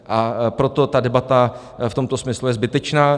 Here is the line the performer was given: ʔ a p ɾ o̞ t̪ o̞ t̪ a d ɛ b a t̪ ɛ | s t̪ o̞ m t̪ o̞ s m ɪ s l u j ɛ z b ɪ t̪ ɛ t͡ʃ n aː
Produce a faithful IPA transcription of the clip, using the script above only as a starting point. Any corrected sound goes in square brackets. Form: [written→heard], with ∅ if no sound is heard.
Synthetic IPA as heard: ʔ a p ɾ o̞ t̪ o̞ t̪ a d ɛ b a t̪ [ɛ→a] | [s→f] t̪ o̞ m t̪ o̞ s m ɪ s l u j ɛ z b ɪ t̪ ɛ t͡ʃ n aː